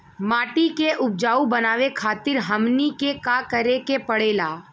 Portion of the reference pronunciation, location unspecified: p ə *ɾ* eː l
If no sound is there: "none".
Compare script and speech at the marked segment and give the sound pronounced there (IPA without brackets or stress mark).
ɽ